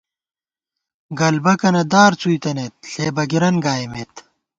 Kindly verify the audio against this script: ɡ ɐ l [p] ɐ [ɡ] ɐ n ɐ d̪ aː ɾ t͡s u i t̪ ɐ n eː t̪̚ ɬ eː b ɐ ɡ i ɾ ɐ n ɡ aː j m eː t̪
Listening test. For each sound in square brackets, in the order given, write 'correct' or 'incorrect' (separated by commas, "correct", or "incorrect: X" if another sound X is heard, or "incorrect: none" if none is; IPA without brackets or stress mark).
incorrect: b, incorrect: k